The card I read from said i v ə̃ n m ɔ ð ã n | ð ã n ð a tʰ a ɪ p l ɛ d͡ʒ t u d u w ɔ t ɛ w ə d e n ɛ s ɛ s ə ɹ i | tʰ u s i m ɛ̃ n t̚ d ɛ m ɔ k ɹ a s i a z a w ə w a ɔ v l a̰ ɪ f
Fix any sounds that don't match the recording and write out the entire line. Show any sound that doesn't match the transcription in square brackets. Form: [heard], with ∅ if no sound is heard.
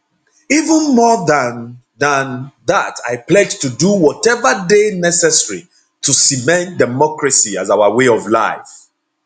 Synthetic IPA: i v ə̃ n m ɔ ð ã n | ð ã n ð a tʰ a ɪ p l ɛ d͡ʒ t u d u w ɔ t ɛ [v] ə d e n ɛ s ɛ s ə ɹ i | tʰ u s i m ɛ̃ n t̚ d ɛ m ɔ k ɹ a s i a z a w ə w [e] ɔ v l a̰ ɪ f